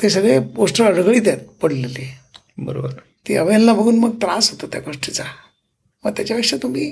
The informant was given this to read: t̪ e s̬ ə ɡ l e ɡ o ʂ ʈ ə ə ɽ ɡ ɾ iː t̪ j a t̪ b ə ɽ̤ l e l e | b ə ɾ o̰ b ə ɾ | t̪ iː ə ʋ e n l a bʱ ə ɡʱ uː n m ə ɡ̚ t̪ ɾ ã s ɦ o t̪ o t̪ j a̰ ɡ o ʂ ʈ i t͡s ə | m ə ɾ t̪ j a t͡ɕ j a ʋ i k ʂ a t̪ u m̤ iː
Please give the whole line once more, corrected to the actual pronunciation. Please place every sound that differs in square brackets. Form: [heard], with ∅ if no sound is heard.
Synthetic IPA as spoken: t̪ e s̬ ə ɡ [ɭ] e ɡ o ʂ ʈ ə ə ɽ ɡ [ɭ] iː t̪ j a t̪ [p] ə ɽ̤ l e l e | b ə ɾ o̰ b ə ɾ | t̪ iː ə ʋ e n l a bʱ ə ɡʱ uː n m ə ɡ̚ t̪ ɾ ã s ɦ o t̪ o t̪ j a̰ ɡ o ʂ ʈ i t͡s [a] | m ə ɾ t̪ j a t͡ɕ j a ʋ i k ʂ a t̪ u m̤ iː